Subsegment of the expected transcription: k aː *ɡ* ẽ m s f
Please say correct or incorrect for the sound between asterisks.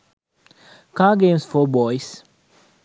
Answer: correct